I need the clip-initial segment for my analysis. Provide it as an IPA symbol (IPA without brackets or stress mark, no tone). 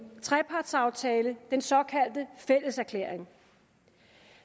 t͡sʰ